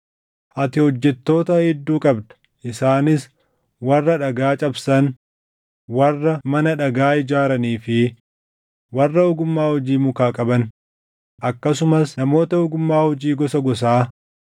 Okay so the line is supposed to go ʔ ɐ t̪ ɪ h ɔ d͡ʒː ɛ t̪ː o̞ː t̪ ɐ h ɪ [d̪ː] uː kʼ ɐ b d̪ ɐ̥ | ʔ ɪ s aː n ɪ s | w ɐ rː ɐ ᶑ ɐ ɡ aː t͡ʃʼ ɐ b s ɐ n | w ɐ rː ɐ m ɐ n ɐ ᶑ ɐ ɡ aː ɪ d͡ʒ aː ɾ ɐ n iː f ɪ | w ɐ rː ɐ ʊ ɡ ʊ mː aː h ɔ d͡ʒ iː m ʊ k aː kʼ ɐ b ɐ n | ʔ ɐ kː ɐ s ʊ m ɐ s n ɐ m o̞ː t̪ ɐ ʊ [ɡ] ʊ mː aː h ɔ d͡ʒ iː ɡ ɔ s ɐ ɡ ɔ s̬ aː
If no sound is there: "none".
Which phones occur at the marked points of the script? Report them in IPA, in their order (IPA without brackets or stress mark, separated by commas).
d̪ː, ɡ